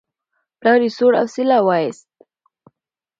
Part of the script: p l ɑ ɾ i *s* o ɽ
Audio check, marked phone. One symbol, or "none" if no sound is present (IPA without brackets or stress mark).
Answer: s